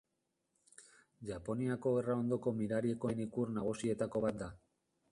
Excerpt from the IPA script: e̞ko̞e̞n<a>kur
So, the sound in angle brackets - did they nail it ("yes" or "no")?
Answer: no